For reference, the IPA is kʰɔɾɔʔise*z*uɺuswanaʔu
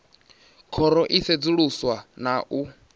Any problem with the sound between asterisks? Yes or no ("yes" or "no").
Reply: yes